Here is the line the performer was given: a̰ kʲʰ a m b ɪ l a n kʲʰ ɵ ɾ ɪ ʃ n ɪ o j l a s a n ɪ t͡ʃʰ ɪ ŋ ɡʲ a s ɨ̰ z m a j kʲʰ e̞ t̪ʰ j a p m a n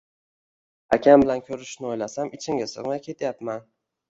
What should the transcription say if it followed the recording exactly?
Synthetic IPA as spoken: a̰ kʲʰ a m b ɪ l a n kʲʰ ɵ ɾ ɪ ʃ n ɪ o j l a s a m ɪ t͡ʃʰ ɪ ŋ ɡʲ a s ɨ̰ ʁ m a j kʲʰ e̞ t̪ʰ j a p m a n